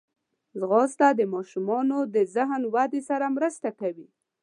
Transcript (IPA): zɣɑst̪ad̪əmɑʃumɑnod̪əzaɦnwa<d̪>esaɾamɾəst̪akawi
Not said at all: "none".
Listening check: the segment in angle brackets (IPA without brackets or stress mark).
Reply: d̪